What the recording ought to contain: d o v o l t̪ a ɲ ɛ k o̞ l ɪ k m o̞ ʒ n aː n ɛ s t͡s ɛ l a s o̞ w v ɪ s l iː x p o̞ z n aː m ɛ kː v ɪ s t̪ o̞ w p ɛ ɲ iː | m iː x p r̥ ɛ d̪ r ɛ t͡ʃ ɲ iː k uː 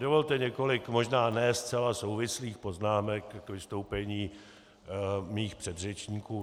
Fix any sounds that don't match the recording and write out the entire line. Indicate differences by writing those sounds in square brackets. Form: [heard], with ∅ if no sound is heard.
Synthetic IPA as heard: d o v o l t̪ [ɛ] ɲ ɛ k o̞ l ɪ k m o̞ ʒ n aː n ɛ s t͡s ɛ l a s o̞ w v ɪ s l iː x p o̞ z n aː m ɛ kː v ɪ s t̪ o̞ w p ɛ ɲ iː | m iː x p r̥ ɛ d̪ r ɛ t͡ʃ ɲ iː k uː

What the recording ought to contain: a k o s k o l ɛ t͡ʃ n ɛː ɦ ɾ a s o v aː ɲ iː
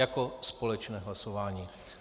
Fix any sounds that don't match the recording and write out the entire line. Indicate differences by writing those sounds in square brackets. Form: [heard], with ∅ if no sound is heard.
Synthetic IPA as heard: a k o s [p] o l ɛ t͡ʃ n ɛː ɦ [l] a s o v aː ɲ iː

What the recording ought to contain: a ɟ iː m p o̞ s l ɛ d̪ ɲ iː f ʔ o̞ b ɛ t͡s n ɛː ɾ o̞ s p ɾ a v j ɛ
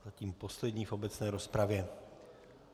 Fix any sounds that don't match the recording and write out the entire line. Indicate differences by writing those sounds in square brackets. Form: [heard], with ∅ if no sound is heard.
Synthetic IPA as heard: a [c] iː m p o̞ s l ɛ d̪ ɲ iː f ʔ o̞ b ɛ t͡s n ɛː ɾ o̞ s p ɾ a v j ɛ

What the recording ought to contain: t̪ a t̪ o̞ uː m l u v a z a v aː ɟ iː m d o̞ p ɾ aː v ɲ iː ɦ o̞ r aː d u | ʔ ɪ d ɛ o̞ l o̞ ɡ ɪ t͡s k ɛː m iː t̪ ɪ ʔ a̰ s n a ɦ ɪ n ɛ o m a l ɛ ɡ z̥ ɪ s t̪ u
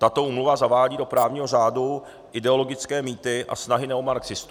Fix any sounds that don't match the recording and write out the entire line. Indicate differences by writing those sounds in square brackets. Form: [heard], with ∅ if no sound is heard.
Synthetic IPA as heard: t̪ a t̪ o̞ uː m l u v a z a v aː ɟ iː [∅] d o̞ p ɾ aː v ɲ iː ɦ o̞ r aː d u | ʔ ɪ d ɛ o̞ l o̞ ɡ ɪ t͡s k ɛː m iː t̪ ɪ ʔ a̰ s n a ɦ ɪ n ɛ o m a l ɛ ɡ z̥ ɪ s t̪ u

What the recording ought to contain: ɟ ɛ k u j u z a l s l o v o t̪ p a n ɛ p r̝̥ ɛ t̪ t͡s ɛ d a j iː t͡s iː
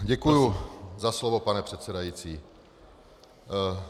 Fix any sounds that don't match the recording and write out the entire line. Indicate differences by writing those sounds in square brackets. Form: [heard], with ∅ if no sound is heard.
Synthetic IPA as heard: ɟ ɛ k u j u z a [∅] s l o v o [∅] p a n ɛ p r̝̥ ɛ t̪ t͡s ɛ d a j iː t͡s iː

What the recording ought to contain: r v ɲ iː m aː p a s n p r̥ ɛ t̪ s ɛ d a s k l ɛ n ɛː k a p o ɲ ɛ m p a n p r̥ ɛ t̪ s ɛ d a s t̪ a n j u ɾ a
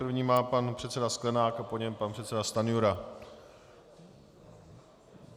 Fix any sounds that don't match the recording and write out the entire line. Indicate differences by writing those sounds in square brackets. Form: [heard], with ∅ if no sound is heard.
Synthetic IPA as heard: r v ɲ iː m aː p a [∅] n p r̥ ɛ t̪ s ɛ d a s k l ɛ n [aː] k a p o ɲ ɛ m p a n p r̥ ɛ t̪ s ɛ d a s t̪ a n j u ɾ a

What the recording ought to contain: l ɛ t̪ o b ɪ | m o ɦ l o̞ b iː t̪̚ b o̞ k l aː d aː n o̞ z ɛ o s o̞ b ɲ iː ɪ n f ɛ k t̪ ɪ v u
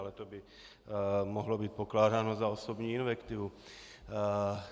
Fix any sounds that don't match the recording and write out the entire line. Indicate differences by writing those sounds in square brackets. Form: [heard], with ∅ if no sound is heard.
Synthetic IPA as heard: l ɛ t̪ o b ɪ | m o ɦ l o̞ b iː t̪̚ [p] o̞ k l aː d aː n o̞ z [a] o s o̞ b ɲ iː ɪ n [v] ɛ k t̪ ɪ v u

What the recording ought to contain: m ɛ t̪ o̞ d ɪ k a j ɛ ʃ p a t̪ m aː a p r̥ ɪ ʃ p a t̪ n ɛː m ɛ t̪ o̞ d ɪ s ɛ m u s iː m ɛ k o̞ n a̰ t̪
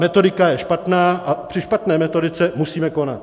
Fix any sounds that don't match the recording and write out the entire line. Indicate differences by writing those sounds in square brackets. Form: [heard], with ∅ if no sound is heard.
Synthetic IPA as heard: m ɛ t̪ o̞ d ɪ k a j ɛ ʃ p a t̪ [n] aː a p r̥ ɪ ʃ p a t̪ n ɛː m ɛ t̪ o̞ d ɪ [t͡s] ɛ m u s iː m ɛ k o̞ n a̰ t̪

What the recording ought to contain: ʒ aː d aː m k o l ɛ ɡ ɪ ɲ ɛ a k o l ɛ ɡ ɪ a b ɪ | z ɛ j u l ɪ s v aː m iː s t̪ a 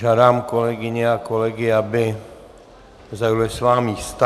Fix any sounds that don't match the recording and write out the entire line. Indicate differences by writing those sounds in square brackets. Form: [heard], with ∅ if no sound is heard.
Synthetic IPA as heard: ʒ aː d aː m k o l ɛ ɡ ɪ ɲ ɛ a k o l ɛ ɡ ɪ a b ɪ | z [a] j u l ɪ s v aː m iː s t̪ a

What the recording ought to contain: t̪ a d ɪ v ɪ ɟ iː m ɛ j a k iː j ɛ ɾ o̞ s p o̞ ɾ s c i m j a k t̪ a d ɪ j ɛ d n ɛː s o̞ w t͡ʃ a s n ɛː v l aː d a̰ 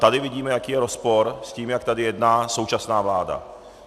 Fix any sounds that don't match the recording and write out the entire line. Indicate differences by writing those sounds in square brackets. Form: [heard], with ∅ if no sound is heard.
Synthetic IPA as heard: t̪ a d ɪ v ɪ ɟ iː m ɛ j a k iː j ɛ ɾ o̞ s p o̞ ɾ s c [iː] m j a k t̪ a d ɪ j ɛ d n [aː] s o̞ w t͡ʃ a s n [aː] v l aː d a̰

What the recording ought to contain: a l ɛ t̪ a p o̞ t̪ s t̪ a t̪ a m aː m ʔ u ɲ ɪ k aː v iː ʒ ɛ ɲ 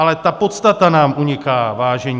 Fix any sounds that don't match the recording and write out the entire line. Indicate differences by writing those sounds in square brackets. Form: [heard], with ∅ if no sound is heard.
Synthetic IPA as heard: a l ɛ t̪ a p o̞ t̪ s t̪ a t̪ a [n] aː m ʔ u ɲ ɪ k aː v [aː] ʒ ɛ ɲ

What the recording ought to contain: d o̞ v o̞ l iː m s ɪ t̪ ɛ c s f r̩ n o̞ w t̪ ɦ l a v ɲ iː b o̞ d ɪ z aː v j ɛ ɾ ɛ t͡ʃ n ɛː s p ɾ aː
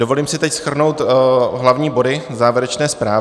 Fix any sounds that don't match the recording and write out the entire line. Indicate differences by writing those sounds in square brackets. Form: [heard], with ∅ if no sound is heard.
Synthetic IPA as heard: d o̞ v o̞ l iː m s ɪ t̪ ɛ c s [x] r̩ n o̞ w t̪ ɦ l a v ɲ iː b o̞ d ɪ z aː v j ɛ ɾ ɛ t͡ʃ n ɛː s p ɾ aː

